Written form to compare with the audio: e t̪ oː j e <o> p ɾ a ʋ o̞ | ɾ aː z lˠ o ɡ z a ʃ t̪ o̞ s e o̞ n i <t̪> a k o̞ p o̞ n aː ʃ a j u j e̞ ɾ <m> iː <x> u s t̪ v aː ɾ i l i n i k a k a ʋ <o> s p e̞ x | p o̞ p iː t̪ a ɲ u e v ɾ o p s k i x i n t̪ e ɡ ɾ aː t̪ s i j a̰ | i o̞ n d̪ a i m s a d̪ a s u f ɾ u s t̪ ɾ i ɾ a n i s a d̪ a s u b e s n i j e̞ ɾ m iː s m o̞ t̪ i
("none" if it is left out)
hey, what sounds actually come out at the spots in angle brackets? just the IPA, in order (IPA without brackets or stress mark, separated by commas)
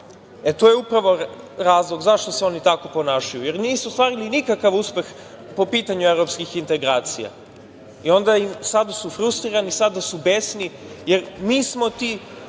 u, t̪, n, s, u